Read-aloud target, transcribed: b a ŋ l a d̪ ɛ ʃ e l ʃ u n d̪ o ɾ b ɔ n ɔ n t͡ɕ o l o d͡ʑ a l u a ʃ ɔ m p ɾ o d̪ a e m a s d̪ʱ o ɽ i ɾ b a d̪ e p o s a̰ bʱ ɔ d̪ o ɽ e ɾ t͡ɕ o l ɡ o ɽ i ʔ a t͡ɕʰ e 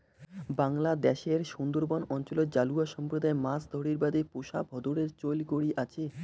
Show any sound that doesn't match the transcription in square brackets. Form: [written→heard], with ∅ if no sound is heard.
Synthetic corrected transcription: b a ŋ l a d̪ ɛ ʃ e [l→ɾ] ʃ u n d̪ o ɾ b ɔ n ɔ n t͡ɕ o l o d͡ʑ a l u a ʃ ɔ m p ɾ o d̪ a e m a s d̪ʱ o ɽ i ɾ b a d̪ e p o [s→ʃ] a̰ bʱ ɔ d̪ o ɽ e ɾ t͡ɕ o l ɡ o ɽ i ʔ a t͡ɕʰ e